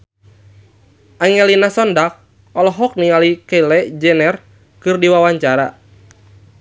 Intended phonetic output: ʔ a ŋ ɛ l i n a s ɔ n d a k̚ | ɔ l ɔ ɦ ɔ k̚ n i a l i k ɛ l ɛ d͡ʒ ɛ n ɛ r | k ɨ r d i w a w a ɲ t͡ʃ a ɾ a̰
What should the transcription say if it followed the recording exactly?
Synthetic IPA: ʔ a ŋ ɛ l i n a s ɔ n d a k̚ | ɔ l ɔ ɦ ɔ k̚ n i a l i k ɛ l ɛ d͡ʒ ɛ n ɛ r | k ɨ r d i w a w a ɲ t͡ʃ a ɾ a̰